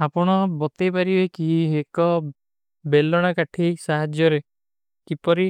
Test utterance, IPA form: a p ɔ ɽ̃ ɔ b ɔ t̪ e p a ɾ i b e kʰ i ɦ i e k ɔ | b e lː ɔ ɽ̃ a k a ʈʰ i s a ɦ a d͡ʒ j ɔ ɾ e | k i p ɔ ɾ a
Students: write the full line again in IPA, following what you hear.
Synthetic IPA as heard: a p ɔ ɽ̃ ɔ b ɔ t̪ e p a ɾ i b e k i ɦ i e k ɔ | b e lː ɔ ɽ̃ a k a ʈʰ i s a ɦ a d͡ʒ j ɔ ɾ e | k i p ɔ ɾ i